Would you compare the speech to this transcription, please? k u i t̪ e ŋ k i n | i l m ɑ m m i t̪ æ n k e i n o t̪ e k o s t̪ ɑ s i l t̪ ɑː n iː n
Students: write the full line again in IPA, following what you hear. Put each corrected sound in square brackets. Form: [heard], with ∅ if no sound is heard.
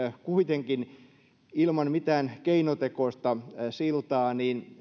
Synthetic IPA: k u i t̪ e ŋ k i n | i l m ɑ [n] m i t̪ [æː] n k e i n o t̪ e k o s t̪ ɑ s i l t̪ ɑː n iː n